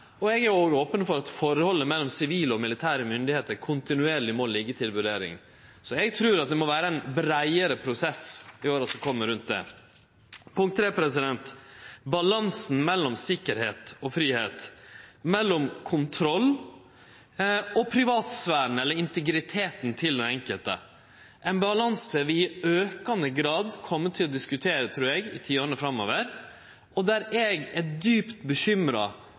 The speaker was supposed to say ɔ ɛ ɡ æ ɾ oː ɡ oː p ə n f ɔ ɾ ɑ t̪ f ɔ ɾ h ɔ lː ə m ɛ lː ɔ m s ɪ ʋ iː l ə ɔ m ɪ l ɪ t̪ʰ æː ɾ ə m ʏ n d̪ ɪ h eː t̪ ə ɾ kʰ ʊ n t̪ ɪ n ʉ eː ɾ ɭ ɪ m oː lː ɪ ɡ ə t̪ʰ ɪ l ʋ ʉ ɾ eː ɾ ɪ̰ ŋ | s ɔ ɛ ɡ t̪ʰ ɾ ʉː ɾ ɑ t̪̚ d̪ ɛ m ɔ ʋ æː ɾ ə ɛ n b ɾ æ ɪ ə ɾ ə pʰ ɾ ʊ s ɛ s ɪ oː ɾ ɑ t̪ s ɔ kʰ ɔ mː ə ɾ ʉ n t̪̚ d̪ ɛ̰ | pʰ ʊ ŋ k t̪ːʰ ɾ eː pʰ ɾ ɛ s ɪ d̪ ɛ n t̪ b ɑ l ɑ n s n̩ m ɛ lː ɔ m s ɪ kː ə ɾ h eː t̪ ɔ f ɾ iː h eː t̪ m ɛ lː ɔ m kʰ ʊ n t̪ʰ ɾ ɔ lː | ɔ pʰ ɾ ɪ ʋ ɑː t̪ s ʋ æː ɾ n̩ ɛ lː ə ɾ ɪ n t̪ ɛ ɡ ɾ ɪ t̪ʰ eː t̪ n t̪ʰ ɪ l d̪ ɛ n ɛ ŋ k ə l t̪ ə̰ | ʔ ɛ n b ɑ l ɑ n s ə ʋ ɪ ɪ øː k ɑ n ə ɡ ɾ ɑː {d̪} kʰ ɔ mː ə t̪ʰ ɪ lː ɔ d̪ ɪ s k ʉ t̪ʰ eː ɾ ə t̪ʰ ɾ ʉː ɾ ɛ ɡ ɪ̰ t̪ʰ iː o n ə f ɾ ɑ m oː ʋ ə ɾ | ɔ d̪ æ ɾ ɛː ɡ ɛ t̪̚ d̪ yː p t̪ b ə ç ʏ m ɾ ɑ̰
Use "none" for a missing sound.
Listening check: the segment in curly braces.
d̪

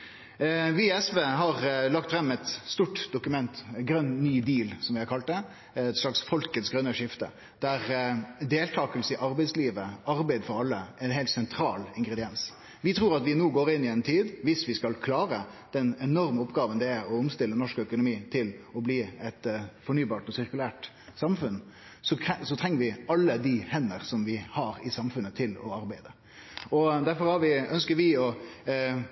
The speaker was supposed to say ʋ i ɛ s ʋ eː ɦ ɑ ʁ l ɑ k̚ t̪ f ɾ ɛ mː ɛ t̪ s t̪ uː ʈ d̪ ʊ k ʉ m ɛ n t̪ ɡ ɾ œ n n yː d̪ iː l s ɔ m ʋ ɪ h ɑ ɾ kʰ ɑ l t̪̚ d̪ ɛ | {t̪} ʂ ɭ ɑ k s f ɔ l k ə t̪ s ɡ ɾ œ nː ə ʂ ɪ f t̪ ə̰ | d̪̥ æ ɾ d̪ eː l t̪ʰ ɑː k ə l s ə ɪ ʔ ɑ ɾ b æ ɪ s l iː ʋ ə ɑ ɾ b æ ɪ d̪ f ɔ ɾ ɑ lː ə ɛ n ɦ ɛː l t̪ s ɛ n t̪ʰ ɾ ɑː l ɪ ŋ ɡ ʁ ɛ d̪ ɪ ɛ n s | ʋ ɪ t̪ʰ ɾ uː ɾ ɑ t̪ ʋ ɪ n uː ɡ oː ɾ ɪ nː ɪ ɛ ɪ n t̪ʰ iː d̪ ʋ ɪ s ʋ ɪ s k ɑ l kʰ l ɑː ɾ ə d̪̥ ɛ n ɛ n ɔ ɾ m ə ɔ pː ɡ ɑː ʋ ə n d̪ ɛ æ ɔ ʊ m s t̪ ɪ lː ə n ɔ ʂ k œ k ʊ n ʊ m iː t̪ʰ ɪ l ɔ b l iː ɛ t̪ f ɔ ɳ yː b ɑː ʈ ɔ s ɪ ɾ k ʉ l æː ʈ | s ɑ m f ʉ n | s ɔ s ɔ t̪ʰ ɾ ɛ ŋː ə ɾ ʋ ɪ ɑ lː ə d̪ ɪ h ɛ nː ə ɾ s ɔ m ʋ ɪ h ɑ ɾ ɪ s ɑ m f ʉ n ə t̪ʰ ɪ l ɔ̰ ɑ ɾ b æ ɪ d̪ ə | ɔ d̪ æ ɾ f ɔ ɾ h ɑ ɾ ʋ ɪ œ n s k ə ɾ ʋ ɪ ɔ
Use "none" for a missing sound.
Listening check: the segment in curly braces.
t̪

